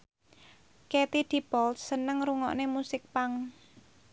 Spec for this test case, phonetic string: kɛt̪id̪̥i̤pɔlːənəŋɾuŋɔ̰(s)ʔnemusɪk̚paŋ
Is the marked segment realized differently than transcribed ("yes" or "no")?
yes